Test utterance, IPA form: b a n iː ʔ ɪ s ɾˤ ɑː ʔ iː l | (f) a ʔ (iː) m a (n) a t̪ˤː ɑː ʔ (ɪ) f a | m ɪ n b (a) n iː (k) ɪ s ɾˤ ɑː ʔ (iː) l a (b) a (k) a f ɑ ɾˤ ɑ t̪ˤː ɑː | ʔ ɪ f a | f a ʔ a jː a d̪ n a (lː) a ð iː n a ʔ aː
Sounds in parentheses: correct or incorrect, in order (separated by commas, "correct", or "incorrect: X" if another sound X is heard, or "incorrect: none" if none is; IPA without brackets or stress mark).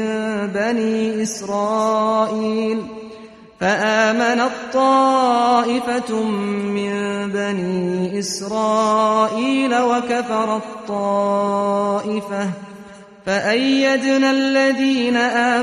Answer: correct, incorrect: aː, correct, correct, correct, incorrect: ʔ, correct, incorrect: w, correct, correct